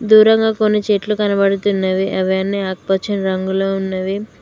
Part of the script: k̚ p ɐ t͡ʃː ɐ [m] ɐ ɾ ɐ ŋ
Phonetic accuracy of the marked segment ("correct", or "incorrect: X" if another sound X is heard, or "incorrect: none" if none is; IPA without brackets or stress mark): incorrect: n